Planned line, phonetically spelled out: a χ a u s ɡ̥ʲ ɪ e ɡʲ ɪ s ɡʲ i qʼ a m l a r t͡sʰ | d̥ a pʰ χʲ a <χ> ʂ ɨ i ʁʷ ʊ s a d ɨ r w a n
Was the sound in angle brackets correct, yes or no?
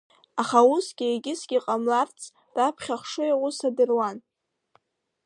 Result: yes